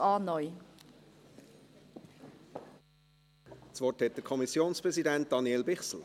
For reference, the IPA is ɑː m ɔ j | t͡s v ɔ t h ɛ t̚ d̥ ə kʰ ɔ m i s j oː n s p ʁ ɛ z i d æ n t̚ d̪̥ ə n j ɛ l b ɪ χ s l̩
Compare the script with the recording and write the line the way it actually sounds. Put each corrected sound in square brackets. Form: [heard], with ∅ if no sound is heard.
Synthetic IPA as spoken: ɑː [n] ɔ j | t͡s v ɔ t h ɛ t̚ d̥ ə kʰ ɔ m i s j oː n s p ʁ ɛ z i d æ n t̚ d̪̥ [ɑ] n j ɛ l b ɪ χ s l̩